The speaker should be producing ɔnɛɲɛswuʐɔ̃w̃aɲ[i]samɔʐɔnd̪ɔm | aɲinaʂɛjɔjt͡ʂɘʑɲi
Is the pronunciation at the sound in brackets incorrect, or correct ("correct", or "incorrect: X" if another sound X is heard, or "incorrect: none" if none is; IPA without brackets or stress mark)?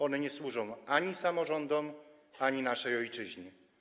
correct